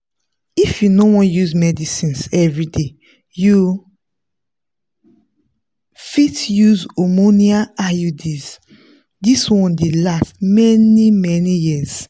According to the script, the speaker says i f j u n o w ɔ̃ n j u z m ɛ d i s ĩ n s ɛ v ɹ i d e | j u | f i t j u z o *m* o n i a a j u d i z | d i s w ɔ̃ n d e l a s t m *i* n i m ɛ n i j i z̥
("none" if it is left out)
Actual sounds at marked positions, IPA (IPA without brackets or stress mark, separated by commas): m, ɛ